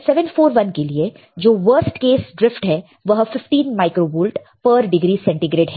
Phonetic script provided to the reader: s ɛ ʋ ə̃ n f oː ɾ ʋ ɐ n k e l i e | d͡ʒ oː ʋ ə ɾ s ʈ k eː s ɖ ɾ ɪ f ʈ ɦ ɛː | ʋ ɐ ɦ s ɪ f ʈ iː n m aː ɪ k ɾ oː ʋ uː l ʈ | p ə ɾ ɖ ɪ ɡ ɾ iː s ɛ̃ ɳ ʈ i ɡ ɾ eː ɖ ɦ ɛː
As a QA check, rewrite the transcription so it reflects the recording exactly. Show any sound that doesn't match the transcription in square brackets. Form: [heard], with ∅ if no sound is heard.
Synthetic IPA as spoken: s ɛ ʋ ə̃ n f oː ɾ ʋ ɐ n k e l i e | d͡ʒ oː ʋ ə ɾ s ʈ k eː s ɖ ɾ ɪ f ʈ ɦ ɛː | ʋ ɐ ɦ [f] ɪ f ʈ iː n m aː ɪ k ɾ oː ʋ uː l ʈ | p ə ɾ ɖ ɪ ɡ ɾ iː s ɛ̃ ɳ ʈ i ɡ ɾ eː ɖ ɦ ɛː